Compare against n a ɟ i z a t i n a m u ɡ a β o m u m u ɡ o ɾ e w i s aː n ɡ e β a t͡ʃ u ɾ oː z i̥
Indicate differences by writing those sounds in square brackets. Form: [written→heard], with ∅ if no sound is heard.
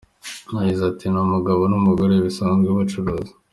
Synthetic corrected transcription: n a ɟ i z a t i n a m u ɡ a β o [m→n] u m u ɡ o ɾ e [w→β] i s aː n ɡ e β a t͡ʃ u ɾ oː z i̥